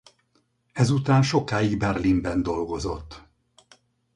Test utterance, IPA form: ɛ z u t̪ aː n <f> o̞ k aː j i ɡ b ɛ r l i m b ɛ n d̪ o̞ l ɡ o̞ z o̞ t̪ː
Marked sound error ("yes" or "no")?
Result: yes